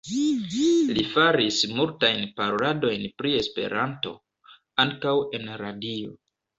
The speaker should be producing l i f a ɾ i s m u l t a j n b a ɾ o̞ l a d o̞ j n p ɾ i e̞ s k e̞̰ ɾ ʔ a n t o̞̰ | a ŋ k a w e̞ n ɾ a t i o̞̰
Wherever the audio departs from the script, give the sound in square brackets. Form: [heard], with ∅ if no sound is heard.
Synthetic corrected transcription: l i f a ɾ i s m u l t a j n [p] a ɾ o̞ l a d o̞ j n p ɾ i e̞ s [p] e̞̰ ɾ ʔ a n t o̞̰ | a ŋ k a w e̞ n ɾ a [d] i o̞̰